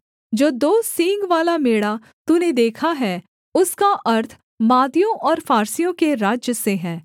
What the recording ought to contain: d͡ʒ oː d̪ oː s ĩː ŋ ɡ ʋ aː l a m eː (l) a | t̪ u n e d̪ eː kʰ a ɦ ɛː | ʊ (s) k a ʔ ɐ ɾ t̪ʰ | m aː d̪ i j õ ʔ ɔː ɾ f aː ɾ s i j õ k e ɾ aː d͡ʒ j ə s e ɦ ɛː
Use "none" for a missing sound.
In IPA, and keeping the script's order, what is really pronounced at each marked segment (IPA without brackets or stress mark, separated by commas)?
ɽ, s